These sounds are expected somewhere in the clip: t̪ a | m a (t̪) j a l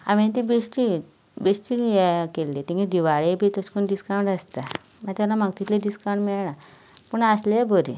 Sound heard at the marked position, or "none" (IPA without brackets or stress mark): t̪